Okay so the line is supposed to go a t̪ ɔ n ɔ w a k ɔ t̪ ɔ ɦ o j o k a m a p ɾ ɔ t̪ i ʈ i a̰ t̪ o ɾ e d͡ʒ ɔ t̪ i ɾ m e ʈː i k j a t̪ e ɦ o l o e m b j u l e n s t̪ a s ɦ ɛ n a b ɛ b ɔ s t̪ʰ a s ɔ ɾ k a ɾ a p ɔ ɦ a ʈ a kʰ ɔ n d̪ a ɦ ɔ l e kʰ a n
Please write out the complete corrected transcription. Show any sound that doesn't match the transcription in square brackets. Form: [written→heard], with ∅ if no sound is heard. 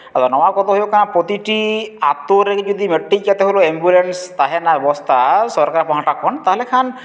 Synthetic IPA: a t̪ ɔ n ɔ w a k ɔ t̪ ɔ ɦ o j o k a [m→n] a p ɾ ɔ t̪ i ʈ i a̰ t̪ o ɾ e d͡ʒ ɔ [t̪→d̪] i [ɾ→∅] m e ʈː i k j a t̪ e ɦ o l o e m b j u l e n s t̪ a [s→∅] ɦ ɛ n a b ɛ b ɔ s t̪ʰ a s ɔ ɾ k a ɾ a p ɔ ɦ a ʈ a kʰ ɔ n [d̪→t̪] a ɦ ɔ l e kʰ a n